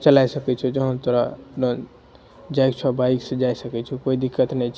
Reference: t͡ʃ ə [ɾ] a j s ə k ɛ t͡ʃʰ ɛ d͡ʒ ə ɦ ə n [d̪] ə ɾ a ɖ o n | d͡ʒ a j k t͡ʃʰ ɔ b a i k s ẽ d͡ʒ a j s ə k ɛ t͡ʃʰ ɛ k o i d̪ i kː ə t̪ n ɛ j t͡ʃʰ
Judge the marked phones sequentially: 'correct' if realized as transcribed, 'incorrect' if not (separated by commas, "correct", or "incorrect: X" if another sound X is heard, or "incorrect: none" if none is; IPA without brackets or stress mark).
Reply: incorrect: l, incorrect: t̪